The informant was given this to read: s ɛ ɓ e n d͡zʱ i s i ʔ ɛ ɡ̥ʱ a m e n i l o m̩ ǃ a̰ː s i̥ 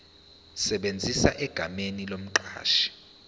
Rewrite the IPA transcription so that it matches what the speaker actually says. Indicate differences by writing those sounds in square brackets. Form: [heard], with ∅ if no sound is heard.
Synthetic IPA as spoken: s ɛ ɓ e n d͡zʱ i s [a] ʔ ɛ ɡ̥ʱ a m e n i l o m̩ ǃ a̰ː [ʃ] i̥

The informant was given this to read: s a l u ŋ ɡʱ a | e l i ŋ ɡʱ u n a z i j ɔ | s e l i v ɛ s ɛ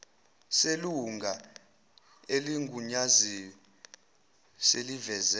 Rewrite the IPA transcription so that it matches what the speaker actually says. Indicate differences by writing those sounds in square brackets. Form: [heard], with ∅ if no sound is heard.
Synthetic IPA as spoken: s [e] l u ŋ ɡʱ a | e l i ŋ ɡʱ u [ɲ] a z i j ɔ | s e l i v ɛ [z] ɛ

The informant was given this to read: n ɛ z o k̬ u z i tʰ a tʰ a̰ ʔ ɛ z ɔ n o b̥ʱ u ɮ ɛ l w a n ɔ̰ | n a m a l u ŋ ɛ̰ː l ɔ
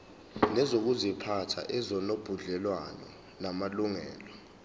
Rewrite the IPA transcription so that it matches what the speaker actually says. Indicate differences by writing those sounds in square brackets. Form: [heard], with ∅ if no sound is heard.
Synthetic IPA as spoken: n ɛ z o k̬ u z i [pʰ] a tʰ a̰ ʔ ɛ z ɔ n o b̥ʱ u ɮ ɛ l w a n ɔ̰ | n a m a l u ŋ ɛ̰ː l ɔ

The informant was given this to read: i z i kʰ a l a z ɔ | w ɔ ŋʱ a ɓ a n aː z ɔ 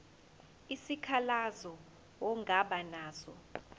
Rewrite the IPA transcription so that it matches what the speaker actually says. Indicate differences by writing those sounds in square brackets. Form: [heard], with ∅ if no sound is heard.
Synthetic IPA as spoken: i [s] i kʰ a l a z ɔ | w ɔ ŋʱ a ɓ a n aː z ɔ

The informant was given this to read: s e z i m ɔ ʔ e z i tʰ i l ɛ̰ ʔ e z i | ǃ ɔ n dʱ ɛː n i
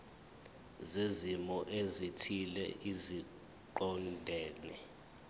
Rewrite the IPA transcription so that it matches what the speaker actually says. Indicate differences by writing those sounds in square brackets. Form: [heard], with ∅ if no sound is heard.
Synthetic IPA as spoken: [z] e z i m ɔ ʔ e z i tʰ i l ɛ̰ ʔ [i] z i | ǃ ɔ n dʱ ɛː n [ɛ]

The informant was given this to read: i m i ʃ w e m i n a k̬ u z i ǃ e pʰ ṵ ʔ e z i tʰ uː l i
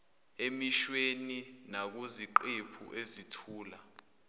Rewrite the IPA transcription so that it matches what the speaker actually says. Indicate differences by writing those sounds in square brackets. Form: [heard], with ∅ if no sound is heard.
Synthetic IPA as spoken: [e] m i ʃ w e [n] i n a k̬ u z i ǃ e pʰ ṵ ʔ e z i tʰ uː l [a]

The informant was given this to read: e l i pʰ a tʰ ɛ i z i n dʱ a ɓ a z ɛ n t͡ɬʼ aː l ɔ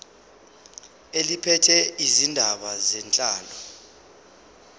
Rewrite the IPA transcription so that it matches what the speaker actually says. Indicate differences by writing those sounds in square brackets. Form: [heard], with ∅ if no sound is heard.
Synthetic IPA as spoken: e l i pʰ [ɛ] tʰ ɛ i z i n dʱ a ɓ a z ɛ n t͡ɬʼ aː l ɔ

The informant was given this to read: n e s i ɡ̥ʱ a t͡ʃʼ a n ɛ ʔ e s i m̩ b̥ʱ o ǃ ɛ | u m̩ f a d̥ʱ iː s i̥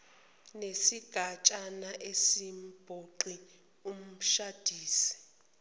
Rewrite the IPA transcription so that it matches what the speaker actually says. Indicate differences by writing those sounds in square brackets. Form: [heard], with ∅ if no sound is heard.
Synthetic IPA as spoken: n e s i ɡ̥ʱ a t͡ʃʼ a n [a] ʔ e s i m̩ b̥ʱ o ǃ [i] | u m̩ [ʃ] a d̥ʱ iː s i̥

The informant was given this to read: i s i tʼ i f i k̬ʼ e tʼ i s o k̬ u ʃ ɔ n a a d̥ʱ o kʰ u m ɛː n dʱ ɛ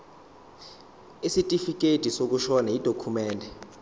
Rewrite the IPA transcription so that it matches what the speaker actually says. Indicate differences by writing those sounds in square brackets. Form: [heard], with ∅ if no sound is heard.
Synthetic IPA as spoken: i s i tʼ i f i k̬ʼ e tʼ i s o k̬ u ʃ ɔ n a [i] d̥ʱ o kʰ u m ɛː n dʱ ɛ

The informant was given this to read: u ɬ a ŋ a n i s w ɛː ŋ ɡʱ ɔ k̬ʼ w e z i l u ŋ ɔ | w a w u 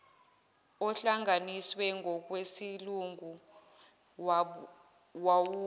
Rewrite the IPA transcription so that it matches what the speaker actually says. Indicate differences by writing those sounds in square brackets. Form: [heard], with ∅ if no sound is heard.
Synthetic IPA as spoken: [ɔ] ɬ a ŋ a n i s w [ɛ] ŋ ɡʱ ɔ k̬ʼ w e [s] i l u ŋ [u] | w a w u

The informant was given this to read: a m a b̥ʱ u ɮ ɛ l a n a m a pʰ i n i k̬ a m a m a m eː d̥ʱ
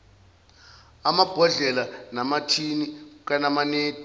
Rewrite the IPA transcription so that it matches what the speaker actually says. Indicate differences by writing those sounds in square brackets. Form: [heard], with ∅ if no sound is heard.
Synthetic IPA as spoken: a m a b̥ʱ [ɔ] ɮ ɛ l a n a m a [tʰ] i n i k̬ a [n] a m a [n] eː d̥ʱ

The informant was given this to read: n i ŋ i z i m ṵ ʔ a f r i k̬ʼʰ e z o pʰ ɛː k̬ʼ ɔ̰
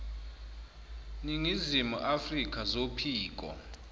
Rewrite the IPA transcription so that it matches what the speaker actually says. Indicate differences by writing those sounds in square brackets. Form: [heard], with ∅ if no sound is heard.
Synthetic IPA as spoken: n i ŋ i z i m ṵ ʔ a f r i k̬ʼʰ [a] z o pʰ [iː] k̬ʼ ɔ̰

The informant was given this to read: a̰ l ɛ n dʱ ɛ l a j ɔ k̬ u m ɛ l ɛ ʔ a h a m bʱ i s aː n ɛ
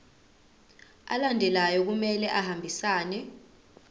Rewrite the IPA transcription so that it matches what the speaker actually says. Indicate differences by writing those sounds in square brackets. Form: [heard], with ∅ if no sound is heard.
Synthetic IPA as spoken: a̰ l [a] n dʱ ɛ l a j ɔ k̬ u m ɛ l ɛ ʔ a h a m bʱ i s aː n ɛ

